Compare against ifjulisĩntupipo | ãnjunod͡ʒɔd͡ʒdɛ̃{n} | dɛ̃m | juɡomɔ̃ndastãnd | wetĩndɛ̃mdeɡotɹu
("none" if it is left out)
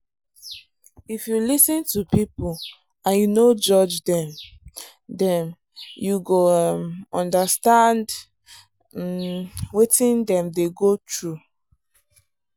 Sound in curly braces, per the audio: m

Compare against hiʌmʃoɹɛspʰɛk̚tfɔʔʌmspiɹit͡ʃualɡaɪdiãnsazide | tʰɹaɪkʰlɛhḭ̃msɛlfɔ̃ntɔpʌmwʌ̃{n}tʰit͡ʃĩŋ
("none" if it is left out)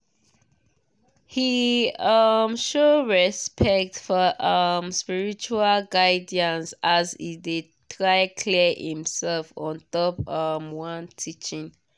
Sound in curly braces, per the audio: n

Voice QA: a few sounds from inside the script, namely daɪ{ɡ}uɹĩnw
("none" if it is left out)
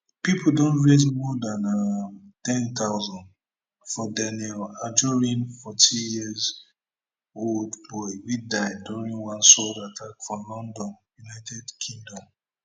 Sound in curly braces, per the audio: d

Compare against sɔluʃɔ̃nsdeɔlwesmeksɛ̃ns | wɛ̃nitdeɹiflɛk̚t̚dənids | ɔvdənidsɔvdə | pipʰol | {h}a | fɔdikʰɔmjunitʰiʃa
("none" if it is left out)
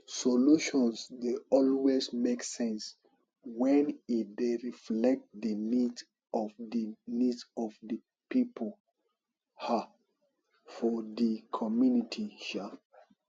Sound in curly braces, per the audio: h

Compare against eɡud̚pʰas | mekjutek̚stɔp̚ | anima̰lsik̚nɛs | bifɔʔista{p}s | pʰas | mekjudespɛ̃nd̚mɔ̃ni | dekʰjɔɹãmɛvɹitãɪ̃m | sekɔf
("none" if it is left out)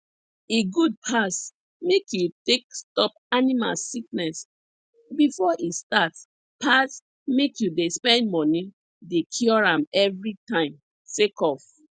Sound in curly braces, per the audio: t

